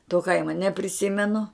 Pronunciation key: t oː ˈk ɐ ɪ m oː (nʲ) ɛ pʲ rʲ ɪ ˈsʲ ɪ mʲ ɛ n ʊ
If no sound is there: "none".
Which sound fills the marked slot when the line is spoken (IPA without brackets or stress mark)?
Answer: nʲ